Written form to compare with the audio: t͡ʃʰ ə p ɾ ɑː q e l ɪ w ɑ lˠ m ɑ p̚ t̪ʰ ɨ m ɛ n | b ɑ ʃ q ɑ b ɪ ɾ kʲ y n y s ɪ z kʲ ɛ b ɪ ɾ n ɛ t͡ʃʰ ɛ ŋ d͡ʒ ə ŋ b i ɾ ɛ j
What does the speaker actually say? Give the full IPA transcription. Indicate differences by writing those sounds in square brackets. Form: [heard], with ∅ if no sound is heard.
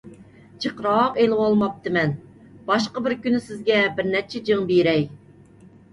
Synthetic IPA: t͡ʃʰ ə [q] ɾ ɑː q e l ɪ w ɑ lˠ m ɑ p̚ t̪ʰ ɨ m ɛ n | b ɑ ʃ q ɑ b ɪ ɾ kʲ y n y s ɪ z [ɡʲ] ɛ b ɪ ɾ n ɛ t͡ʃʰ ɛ [∅] d͡ʒ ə ŋ b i ɾ ɛ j